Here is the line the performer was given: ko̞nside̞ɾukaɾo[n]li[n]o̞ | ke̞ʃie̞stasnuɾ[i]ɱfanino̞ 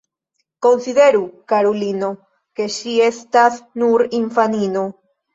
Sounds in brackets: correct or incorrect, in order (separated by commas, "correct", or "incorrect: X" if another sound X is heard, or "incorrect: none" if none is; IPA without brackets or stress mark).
incorrect: none, correct, correct